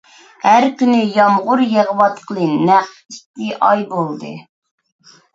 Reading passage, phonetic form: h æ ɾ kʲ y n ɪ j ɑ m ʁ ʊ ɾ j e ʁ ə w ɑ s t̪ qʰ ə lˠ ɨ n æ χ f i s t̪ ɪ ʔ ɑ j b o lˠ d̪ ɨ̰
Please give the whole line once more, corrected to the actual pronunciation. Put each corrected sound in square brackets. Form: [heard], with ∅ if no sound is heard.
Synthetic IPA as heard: h æ ɾ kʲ y n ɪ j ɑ m ʁ ʊ ɾ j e ʁ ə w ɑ [∅] t̪ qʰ ə lˠ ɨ n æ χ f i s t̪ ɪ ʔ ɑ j b o lˠ d̪ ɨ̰